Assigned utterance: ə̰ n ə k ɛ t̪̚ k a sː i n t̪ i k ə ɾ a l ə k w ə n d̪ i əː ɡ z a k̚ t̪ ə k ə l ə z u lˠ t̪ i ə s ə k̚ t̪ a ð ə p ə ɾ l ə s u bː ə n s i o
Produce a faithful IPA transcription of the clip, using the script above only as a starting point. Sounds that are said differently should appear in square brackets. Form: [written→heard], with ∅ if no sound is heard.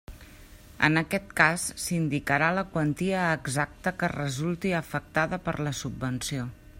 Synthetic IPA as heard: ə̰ n ə k ɛ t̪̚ k a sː i n [t̪→d̪] i k ə ɾ a l ə k w ə n [d̪→t̪] i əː ɡ z a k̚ t̪ ə k ə [l→r] ə z u lˠ t̪ i ə [s→f] ə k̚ t̪ a ð ə p ə ɾ l ə s u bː ə n s i o